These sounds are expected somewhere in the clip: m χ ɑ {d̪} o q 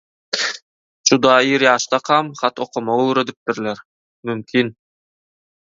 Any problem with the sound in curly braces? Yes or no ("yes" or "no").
yes